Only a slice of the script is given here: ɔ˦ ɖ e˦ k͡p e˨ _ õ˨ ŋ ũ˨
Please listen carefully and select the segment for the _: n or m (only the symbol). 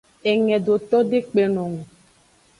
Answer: n